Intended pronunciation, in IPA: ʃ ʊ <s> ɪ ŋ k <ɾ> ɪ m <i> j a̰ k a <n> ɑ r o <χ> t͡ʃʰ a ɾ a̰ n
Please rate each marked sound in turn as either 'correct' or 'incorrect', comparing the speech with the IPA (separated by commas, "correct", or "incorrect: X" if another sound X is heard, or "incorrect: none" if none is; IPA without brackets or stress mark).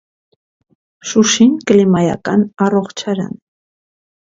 incorrect: ʃ, incorrect: l, incorrect: a, correct, correct